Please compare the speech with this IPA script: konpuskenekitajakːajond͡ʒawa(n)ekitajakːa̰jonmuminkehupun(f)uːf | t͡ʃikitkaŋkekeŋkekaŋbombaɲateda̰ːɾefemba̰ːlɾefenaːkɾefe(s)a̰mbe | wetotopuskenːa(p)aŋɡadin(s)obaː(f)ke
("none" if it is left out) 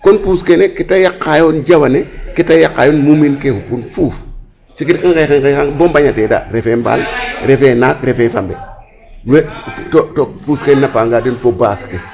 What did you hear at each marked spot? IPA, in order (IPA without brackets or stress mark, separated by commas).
n, f, f, p, f, s